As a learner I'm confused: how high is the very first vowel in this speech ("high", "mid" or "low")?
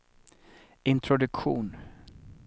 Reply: high